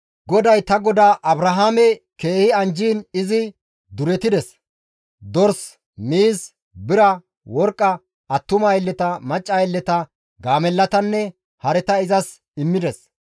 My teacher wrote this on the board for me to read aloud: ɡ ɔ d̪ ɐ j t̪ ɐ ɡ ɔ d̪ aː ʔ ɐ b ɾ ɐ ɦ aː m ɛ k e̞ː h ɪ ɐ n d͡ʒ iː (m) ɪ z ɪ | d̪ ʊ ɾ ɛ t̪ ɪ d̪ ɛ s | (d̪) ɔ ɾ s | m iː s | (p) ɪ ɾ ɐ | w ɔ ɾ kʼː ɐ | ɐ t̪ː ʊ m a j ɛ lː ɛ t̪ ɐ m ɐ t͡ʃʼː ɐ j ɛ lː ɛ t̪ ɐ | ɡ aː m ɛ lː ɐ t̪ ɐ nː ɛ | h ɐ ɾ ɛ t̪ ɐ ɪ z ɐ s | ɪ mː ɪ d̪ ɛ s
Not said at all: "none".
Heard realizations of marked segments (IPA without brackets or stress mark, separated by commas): n, d̪, b